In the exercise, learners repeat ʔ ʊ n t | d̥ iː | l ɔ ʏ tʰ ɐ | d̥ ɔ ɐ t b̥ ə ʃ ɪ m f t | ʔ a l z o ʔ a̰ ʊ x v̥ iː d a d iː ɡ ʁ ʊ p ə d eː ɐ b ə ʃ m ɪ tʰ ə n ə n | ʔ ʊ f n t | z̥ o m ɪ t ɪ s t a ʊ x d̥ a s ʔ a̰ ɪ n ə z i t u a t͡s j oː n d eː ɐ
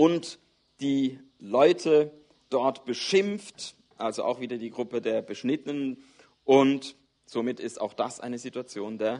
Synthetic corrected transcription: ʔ ʊ n t | d̥ iː | l ɔ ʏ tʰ ə | d̥ ɔ ɐ t b̥ ə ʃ ɪ m f t | ʔ a l z o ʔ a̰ ʊ x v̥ iː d ɐ d iː ɡ ʁ ʊ p ə d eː ɐ b ə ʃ n ɪ t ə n ə n | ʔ ʊ n t | z̥ o m ɪ t ɪ s t a ʊ x d̥ a s ʔ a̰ ɪ n ə z i t u a t͡s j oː n d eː ɐ